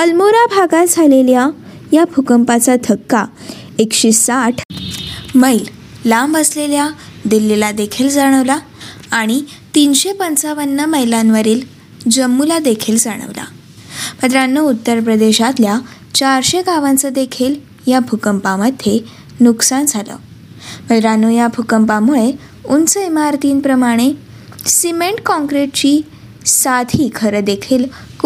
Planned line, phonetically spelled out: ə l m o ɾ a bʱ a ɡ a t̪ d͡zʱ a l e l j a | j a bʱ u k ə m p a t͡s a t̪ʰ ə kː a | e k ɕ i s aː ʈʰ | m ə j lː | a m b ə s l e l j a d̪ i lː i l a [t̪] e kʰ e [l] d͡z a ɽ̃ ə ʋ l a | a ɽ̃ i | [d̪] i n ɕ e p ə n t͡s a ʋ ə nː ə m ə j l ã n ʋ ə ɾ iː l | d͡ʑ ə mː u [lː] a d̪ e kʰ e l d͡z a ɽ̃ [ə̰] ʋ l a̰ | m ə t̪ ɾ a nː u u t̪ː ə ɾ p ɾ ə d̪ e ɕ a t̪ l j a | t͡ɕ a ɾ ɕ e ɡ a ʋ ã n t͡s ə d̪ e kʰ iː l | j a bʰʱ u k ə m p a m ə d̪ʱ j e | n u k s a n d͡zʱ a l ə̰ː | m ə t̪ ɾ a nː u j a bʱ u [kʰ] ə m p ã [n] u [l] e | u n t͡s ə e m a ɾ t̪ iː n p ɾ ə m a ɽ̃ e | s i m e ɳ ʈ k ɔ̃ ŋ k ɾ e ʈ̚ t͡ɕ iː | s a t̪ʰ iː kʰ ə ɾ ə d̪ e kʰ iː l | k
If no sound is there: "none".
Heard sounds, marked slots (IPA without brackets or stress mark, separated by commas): d̪, l, t̪, l, ə̰, k, m, ɭ